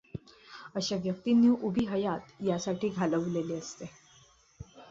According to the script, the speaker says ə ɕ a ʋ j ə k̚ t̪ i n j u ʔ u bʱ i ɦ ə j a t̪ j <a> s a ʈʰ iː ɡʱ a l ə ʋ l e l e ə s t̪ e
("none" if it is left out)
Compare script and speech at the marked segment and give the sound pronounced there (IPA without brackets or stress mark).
a